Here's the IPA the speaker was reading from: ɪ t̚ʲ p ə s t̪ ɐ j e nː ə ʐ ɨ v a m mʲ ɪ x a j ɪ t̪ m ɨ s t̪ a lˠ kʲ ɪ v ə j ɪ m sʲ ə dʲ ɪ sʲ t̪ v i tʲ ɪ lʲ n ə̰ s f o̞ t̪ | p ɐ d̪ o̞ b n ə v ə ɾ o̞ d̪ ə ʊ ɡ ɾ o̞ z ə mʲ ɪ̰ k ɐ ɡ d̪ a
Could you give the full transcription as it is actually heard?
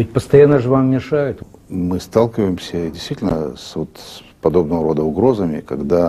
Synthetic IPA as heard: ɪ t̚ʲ p ə s t̪ ɐ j a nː ə ʐ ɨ v a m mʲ ɪ ʂ a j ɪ t̪ m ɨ s t̪ a lˠ kʲ ɪ v ə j ɪ m sʲ ə dʲ ɪ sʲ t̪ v i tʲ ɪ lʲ n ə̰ s v o̞ t̪ | p ɐ d̪ o̞ b n ə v ə ɾ o̞ d̪ ə ʊ ɡ ɾ o̞ z ə mʲ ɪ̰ k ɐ ɡ d̪ a